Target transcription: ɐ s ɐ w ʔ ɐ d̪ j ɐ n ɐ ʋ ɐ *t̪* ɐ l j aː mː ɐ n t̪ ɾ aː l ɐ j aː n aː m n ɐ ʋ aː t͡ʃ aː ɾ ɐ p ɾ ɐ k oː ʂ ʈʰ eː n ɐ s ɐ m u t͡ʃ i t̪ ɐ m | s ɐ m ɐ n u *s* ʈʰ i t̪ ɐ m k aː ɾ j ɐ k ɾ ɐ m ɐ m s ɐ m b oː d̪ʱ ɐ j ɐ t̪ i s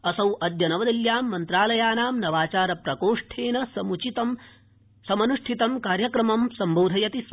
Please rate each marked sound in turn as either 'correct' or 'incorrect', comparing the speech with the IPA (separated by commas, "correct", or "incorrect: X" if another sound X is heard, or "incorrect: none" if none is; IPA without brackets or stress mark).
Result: incorrect: d̪, incorrect: ʂ